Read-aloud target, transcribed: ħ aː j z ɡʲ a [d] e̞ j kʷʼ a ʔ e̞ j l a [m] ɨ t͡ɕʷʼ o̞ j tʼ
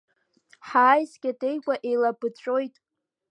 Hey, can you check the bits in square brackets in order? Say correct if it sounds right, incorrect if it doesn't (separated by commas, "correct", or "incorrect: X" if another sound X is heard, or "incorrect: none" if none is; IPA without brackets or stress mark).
correct, incorrect: b